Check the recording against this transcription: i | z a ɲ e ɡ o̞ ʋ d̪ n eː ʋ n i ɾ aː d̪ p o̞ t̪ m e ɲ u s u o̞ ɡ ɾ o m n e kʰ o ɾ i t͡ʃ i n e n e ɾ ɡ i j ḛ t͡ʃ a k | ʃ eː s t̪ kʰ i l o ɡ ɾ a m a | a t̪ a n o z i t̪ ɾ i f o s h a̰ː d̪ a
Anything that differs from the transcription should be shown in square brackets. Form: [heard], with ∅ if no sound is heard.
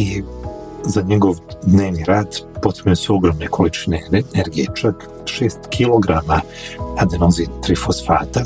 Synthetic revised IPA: i | z a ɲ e ɡ o̞ ʋ d̪ n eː ʋ n i ɾ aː d̪ p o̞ t̪ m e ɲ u s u o̞ ɡ ɾ o m n e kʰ o [l] i t͡ʃ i n e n e ɾ ɡ i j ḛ t͡ʃ a k | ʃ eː s t̪ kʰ i l o ɡ ɾ a m a | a [d̪] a n o z i t̪ ɾ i f o s [f] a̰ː [t̪] a